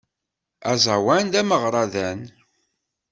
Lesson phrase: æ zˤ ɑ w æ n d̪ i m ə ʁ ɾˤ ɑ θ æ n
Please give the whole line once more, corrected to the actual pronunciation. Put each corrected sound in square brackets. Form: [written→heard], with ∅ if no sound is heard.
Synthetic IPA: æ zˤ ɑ w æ n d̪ [i→æ] m ə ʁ ɾˤ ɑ [θ→ð] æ n